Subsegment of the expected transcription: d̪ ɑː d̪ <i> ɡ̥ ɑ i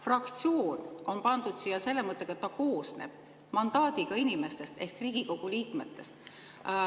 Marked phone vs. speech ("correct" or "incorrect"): correct